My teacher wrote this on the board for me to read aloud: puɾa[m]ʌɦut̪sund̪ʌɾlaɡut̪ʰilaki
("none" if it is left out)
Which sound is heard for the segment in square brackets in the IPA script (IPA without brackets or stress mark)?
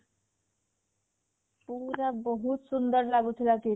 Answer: b